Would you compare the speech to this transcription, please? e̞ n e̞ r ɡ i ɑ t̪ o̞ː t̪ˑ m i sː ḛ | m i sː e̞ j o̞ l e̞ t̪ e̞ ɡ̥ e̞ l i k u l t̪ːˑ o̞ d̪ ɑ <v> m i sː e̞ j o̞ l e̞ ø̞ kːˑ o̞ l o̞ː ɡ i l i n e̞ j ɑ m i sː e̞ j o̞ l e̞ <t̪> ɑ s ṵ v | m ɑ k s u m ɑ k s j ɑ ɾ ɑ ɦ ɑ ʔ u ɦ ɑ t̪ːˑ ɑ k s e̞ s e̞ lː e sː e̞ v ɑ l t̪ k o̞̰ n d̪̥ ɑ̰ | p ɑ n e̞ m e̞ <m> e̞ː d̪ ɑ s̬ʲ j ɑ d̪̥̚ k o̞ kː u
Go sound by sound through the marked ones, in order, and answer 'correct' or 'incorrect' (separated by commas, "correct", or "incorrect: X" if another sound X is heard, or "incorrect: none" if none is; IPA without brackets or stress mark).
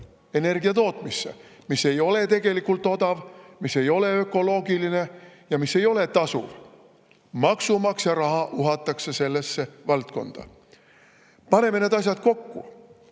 correct, correct, incorrect: n